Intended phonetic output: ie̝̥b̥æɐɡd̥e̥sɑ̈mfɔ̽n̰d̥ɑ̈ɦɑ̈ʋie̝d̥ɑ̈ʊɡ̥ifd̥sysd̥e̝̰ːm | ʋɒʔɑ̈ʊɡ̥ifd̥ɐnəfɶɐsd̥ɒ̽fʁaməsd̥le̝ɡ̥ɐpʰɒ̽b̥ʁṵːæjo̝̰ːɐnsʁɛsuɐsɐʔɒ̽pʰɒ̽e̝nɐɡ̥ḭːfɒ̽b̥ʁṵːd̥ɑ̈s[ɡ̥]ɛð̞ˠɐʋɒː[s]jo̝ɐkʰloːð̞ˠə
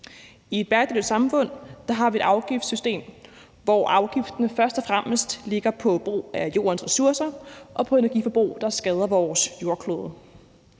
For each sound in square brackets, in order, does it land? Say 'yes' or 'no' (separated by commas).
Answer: yes, yes